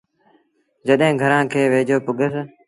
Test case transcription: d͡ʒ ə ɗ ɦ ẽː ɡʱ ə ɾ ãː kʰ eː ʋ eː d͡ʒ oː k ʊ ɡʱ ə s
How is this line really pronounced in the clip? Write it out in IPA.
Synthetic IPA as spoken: d͡ʒ ə ɗ ɦ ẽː ɡʱ ə ɾ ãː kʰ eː ʋ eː d͡ʒ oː p ʊ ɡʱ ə s

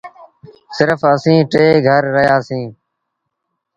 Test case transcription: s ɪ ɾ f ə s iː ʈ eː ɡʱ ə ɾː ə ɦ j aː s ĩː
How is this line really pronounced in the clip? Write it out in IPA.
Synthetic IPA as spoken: s ɪ ɾ f ə s ĩː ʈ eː ɡʱ ə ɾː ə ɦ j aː s ĩː

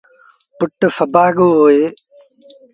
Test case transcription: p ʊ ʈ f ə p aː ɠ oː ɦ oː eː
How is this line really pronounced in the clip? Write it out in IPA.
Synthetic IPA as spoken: p ʊ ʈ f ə b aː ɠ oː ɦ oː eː

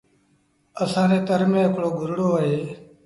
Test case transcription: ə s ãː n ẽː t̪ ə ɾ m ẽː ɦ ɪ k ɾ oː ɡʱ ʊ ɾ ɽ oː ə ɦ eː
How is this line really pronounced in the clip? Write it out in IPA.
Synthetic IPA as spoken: ə s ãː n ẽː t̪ ə ɾ m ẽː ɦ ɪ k ɽ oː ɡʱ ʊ ɾ ɽ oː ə ɦ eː

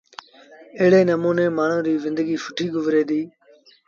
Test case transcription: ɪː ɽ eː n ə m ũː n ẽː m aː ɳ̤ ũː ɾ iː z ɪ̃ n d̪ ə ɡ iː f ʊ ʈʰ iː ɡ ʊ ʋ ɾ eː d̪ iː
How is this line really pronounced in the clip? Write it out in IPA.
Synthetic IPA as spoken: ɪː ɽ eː n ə m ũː n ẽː m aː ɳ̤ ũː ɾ iː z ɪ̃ n d̪ ə ɡ iː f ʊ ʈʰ iː ɡ ʊ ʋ ɾ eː d̪ iː

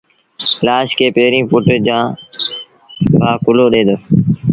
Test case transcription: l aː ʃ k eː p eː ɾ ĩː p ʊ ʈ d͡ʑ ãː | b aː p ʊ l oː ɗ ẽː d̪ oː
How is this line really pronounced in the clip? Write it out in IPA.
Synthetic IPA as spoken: l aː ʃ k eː p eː ɾ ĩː p ʊ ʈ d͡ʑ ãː | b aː k ʊ l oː ɗ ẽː d̪ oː

